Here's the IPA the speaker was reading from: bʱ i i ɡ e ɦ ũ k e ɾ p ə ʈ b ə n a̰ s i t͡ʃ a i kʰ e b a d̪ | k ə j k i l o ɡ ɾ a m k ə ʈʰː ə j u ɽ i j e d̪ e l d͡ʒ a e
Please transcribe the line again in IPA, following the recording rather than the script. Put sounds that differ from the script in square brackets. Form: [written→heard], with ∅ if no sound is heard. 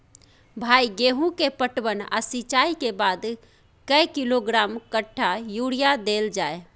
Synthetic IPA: bʱ [i→a] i ɡ e ɦ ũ k e [ɾ→∅] p ə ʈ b ə n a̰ s i t͡ʃ a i [kʰ→k] e b a d̪ | k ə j k i l o ɡ ɾ a m k ə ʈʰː [ə→a] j u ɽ i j [e→a] d̪ e l d͡ʒ a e